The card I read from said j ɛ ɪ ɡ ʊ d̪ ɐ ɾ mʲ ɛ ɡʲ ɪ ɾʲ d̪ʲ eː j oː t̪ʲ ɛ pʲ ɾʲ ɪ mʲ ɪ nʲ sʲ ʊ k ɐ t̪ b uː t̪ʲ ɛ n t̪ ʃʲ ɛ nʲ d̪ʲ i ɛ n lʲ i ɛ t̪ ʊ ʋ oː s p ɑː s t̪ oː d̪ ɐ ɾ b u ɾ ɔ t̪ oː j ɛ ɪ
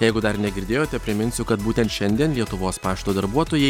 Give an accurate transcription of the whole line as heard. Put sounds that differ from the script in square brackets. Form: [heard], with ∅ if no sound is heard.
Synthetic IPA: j ɛ ɪ ɡ ʊ d̪ ɐ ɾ [nʲ] ɛ ɡʲ ɪ ɾʲ d̪ʲ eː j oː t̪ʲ ɛ pʲ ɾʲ ɪ mʲ ɪ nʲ sʲ ʊ k ɐ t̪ b uː t̪ʲ ɛ n t̪ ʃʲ ɛ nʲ d̪ʲ i ɛ n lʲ i ɛ t̪ ʊ ʋ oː s p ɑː [ʃ] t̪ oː d̪ ɐ ɾ b u [∅] ɔ t̪ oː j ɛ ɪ